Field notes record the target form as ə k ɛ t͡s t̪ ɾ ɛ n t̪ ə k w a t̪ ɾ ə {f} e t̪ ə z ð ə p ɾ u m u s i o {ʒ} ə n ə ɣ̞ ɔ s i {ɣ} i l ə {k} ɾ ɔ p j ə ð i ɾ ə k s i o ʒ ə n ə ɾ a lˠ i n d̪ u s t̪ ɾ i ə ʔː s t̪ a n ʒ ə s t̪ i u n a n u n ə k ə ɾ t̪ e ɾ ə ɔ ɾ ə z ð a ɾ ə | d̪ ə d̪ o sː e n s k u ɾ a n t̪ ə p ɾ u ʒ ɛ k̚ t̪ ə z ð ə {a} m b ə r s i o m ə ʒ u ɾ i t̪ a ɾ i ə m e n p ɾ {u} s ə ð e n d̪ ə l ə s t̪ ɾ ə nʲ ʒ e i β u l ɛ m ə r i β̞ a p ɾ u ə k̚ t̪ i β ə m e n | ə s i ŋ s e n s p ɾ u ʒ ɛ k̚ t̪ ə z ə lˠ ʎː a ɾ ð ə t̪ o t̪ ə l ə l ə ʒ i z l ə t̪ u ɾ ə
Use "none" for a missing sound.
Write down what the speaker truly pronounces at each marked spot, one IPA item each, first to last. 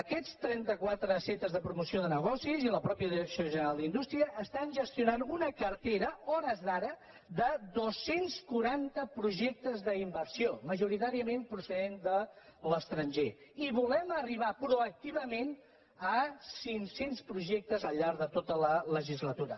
s, ð, z, p, i, u

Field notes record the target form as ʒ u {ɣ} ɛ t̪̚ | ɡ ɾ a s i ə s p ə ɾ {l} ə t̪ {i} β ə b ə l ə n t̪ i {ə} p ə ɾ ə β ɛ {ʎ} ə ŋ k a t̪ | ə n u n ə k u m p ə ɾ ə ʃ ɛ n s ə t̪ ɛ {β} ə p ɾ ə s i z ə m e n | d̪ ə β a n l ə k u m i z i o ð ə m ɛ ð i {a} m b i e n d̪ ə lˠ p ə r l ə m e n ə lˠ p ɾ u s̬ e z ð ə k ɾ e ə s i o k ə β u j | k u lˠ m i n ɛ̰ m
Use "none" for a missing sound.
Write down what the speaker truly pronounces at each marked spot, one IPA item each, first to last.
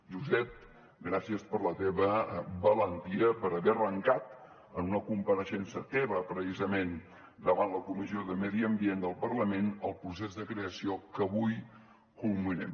z, l, e, ə, r, β, ə

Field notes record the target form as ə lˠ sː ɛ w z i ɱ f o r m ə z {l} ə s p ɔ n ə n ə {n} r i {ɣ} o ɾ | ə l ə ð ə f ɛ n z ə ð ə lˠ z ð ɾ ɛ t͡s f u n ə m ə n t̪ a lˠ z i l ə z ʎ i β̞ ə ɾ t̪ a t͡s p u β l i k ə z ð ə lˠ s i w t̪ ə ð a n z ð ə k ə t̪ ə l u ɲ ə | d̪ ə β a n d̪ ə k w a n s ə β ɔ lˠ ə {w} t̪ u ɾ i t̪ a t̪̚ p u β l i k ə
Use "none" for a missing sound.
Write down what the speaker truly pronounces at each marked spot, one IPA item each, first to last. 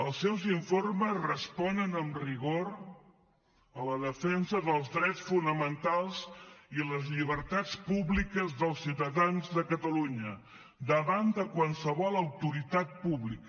r, m, ɣ, w

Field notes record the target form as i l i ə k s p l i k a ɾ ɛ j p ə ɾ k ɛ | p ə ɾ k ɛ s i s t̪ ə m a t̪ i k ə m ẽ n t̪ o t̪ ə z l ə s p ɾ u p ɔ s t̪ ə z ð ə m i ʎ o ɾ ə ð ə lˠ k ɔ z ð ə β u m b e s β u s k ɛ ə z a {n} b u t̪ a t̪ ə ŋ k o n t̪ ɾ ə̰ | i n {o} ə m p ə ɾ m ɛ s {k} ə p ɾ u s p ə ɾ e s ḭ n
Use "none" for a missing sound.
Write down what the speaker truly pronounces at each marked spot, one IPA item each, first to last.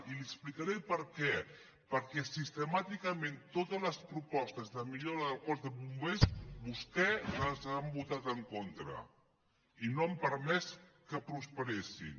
m, o, k

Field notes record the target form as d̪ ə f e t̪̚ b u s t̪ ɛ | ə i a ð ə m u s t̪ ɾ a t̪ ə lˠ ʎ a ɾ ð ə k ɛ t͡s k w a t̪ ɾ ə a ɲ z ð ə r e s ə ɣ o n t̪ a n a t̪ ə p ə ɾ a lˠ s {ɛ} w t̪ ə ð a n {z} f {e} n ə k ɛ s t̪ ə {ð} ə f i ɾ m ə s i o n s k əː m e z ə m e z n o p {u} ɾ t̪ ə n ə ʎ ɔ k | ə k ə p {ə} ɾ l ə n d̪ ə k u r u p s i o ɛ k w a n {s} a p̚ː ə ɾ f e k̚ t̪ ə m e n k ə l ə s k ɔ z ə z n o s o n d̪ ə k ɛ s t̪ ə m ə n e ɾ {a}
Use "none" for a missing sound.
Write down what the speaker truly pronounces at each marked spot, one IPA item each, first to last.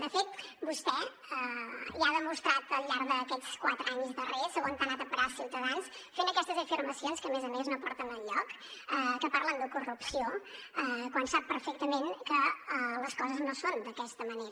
i, s, e, z, ɔ, a, s, ə

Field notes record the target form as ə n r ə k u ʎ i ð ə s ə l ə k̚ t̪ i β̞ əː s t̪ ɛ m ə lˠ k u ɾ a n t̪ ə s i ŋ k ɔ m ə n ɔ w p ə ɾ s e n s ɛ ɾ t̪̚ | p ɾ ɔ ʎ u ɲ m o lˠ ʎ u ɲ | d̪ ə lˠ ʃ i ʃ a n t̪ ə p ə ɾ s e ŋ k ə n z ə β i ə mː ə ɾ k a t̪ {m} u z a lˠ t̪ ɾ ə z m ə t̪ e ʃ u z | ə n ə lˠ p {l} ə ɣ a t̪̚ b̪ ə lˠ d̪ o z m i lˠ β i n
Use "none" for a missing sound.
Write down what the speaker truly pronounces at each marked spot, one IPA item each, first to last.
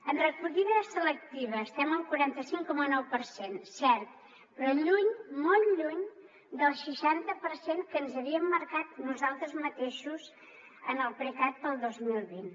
n, ɾ

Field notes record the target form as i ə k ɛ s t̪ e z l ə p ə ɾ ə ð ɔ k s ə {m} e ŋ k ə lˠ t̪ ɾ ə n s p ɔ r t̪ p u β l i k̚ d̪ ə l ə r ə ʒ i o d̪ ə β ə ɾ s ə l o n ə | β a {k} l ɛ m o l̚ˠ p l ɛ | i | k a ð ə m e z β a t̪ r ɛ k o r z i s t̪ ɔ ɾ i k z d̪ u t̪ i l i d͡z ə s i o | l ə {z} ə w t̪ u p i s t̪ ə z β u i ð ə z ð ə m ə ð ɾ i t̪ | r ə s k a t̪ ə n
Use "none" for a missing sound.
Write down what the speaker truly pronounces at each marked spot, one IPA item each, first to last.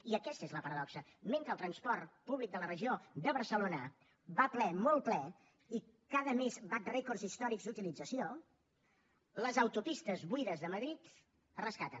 m, p, z

